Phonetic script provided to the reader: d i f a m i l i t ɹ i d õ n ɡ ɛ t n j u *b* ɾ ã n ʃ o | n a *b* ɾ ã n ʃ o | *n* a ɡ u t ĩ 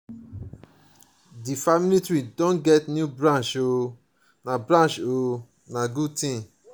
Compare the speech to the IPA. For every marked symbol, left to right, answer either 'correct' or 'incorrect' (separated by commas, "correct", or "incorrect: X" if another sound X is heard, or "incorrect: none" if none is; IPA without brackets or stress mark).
correct, correct, correct